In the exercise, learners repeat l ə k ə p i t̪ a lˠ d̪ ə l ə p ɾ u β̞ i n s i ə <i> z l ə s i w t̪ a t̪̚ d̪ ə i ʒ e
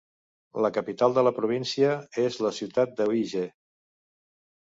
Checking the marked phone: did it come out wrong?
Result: yes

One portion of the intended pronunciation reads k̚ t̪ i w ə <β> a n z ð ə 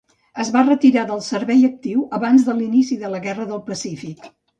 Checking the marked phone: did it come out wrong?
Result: no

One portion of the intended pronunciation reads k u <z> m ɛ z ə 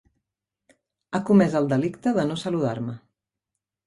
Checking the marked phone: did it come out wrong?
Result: yes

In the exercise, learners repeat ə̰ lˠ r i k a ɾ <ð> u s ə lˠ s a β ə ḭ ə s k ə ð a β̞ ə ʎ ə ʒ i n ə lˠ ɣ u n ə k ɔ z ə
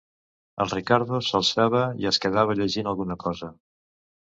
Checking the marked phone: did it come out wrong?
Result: no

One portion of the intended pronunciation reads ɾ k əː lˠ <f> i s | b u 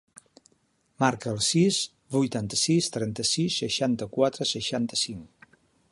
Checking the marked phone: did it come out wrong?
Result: yes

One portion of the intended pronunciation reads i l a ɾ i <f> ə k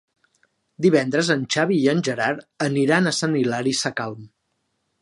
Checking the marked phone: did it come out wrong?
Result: yes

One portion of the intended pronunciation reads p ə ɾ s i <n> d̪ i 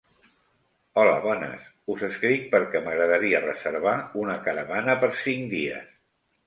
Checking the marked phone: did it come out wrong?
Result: yes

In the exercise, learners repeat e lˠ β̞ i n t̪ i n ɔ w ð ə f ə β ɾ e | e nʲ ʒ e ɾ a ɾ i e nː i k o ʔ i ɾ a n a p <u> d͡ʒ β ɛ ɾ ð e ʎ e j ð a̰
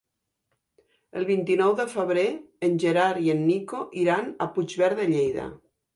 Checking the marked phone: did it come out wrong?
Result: no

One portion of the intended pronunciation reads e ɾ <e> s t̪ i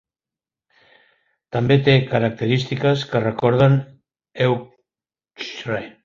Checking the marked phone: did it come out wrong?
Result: yes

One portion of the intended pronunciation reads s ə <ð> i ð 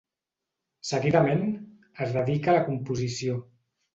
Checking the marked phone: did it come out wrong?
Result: yes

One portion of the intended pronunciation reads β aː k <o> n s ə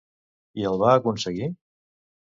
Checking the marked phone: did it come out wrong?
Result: yes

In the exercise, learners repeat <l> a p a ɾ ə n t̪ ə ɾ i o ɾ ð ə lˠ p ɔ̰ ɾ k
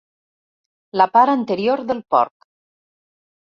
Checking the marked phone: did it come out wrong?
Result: no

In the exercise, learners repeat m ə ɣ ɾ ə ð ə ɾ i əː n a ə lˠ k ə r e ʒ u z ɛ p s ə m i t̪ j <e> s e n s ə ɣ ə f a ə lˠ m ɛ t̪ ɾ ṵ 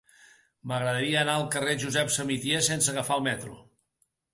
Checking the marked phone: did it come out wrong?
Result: no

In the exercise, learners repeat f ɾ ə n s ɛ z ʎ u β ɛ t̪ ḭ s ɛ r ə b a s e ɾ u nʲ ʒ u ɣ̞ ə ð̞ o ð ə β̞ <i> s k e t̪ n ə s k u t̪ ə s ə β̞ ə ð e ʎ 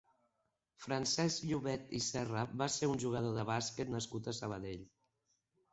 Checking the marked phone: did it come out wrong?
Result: yes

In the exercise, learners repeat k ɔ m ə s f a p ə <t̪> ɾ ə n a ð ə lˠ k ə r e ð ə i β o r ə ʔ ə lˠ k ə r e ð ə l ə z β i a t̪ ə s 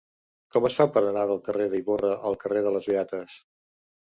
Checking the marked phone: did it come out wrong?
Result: yes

